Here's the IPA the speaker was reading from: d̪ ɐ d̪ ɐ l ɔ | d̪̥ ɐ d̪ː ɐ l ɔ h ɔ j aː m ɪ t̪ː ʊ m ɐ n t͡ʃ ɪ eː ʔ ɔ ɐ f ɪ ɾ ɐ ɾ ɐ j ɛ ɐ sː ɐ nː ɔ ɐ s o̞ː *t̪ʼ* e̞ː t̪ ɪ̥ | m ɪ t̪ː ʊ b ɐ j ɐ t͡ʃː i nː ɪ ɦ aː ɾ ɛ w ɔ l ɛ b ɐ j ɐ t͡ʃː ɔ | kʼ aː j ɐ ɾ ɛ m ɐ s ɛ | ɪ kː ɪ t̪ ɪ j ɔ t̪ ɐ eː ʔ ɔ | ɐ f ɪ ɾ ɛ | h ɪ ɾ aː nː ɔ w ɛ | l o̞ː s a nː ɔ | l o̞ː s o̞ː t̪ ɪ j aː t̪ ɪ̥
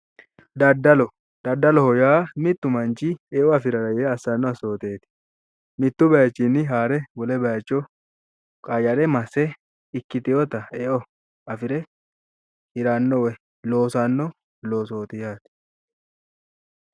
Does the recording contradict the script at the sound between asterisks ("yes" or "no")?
yes